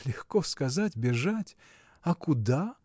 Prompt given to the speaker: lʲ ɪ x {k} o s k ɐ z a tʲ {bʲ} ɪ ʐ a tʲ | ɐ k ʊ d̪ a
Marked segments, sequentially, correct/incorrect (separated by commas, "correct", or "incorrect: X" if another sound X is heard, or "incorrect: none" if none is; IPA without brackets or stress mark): correct, correct